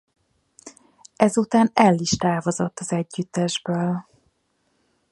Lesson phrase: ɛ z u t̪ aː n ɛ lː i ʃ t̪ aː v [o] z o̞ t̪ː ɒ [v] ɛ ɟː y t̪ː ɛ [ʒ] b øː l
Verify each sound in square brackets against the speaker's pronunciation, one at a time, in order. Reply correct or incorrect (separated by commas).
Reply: correct, incorrect, correct